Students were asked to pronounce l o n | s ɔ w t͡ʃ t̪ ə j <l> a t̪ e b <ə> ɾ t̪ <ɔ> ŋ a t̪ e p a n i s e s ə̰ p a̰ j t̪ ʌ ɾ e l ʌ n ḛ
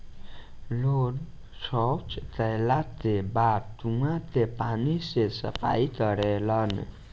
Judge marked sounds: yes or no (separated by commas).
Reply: yes, no, no